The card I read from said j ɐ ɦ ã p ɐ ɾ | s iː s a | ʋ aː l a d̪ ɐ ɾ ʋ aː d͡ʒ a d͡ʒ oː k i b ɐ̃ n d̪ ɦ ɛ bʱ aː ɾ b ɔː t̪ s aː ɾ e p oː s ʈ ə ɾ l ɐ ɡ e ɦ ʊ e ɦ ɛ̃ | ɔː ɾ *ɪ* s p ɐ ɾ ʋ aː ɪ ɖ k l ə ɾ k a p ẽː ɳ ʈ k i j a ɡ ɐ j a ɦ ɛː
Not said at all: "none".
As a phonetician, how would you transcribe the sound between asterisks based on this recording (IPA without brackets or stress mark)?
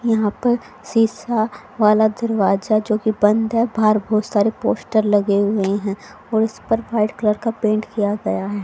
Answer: ɪ